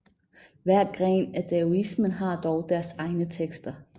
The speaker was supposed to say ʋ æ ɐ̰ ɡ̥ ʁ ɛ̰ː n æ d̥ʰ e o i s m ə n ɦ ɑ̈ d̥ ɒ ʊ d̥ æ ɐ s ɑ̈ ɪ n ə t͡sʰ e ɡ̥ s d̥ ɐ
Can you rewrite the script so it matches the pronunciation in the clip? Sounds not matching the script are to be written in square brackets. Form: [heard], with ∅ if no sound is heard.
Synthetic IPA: ʋ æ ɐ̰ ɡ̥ ʁ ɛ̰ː n æ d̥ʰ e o i s m ə n ɦ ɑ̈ d̥ ɒ ʊ d̥ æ ɐ s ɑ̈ ɪ n ə t͡sʰ e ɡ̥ s d̥ ɐ